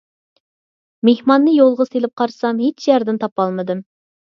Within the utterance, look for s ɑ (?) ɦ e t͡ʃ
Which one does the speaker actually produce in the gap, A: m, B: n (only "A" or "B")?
A